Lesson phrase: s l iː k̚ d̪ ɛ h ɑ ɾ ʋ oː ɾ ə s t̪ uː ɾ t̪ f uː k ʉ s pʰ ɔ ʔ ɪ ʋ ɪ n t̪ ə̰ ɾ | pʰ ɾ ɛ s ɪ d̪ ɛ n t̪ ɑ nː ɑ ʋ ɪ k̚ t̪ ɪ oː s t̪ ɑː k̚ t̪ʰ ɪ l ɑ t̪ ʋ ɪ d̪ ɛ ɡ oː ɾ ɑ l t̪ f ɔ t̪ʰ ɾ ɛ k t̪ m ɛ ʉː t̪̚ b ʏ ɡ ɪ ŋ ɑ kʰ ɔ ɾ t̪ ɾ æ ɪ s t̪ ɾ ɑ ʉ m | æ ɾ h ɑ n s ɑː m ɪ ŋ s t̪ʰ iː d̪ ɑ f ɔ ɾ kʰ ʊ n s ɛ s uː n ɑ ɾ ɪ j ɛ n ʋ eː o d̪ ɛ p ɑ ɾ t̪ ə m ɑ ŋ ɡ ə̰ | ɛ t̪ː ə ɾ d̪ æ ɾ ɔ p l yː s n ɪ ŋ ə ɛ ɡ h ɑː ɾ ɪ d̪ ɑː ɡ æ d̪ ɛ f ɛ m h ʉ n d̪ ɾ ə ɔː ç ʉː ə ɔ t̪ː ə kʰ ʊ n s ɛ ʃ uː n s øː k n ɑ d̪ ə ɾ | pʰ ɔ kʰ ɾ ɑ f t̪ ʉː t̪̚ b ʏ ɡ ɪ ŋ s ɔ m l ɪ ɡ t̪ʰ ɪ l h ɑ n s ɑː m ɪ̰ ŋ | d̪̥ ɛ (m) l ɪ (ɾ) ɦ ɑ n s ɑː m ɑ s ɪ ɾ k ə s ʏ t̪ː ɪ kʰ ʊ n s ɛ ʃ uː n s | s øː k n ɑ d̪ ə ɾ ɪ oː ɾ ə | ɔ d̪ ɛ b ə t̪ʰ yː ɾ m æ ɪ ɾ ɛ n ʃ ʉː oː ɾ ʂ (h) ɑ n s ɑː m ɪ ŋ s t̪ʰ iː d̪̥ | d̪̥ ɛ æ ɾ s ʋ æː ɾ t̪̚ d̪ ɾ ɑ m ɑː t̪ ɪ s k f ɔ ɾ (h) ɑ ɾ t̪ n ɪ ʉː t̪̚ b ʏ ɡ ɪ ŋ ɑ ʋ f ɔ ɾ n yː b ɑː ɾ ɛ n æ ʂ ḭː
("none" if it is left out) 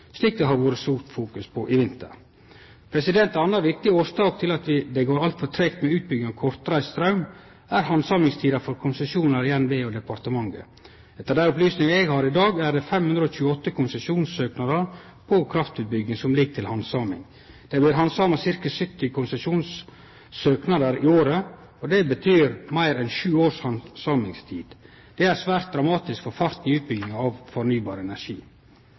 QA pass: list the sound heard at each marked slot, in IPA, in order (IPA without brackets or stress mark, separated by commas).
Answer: b, ɾ, h, f